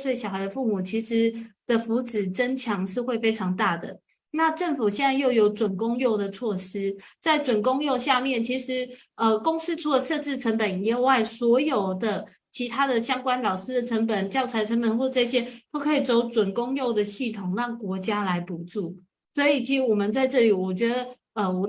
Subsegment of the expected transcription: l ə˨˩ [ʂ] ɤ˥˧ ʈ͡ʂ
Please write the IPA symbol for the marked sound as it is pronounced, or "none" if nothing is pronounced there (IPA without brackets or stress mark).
ʂ